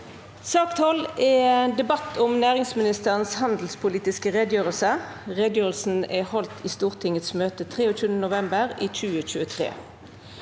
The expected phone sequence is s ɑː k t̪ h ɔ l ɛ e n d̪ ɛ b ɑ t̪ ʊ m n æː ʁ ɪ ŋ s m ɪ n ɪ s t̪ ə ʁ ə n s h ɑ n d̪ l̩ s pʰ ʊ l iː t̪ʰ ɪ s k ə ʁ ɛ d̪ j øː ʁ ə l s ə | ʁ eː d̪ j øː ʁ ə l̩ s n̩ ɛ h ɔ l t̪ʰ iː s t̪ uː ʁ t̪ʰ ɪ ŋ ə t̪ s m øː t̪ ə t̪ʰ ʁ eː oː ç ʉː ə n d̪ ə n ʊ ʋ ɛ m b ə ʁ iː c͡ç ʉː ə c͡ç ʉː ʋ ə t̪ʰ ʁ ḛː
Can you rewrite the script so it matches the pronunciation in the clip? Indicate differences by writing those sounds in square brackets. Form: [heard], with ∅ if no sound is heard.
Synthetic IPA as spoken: s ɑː k t̪ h ɔ l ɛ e n d̪ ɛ b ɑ t̪ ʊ m n æː ʁ ɪ ŋ s m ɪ n ɪ s t̪ ə ʁ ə n s h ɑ n d̪ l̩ s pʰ ʊ l iː [t̪] ɪ s k ə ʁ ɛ d̪ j øː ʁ ə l s ə | ʁ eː d̪ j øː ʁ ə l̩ s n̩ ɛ h ɔ l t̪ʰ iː s t̪ uː ʁ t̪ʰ ɪ ŋ ə t̪ s m øː t̪ ə t̪ʰ ʁ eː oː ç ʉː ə n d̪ ə n ʊ ʋ ɛ m b ə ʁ iː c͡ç ʉː ə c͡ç ʉː [∅] ə t̪ʰ ʁ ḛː